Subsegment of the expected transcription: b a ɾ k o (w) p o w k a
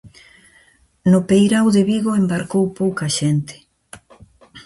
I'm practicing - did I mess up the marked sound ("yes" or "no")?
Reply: no